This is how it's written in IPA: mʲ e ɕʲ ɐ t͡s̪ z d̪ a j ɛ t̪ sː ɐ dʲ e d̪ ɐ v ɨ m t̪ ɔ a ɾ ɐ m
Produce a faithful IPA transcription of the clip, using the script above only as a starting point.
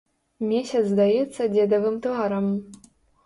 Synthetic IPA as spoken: mʲ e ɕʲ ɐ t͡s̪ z d̪ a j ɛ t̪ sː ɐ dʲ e d̪ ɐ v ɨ m t̪ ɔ a ɾ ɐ m